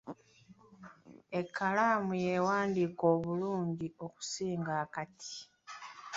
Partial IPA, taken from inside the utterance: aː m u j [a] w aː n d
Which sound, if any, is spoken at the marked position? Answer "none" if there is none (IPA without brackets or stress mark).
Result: e